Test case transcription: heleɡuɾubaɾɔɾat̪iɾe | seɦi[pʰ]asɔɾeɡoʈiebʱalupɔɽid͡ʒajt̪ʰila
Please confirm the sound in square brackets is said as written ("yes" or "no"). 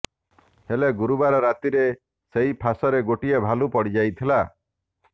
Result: yes